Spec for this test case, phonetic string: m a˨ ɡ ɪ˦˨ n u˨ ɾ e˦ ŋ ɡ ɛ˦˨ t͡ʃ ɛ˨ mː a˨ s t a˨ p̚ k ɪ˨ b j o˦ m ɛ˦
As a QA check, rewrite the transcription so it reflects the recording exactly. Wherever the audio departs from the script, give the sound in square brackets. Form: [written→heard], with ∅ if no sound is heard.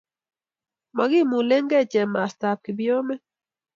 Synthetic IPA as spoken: m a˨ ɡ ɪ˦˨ [n→m] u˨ [ɾ→l] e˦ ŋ ɡ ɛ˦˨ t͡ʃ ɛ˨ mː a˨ s t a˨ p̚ k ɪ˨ b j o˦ m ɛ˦